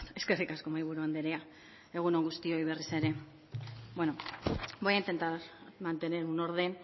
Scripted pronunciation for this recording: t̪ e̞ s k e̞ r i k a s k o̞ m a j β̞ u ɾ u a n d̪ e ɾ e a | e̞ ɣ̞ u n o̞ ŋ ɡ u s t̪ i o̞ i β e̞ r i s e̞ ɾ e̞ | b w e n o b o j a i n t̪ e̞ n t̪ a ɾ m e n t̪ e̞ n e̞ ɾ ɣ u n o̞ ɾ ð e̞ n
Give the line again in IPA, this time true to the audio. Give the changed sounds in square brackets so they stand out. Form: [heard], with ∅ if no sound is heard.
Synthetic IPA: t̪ e̞ s k e̞ r i k a s k o̞ m a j β̞ u ɾ u a n d̪ e ɾ e a | e̞ ɣ̞ u n o̞ ŋ ɡ u s t̪ i o̞ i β e̞ r i s e̞ ɾ e̞ | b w e n o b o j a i n t̪ e̞ n t̪ a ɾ m [a] n t̪ e̞ n e̞ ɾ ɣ u n o̞ ɾ ð e̞ n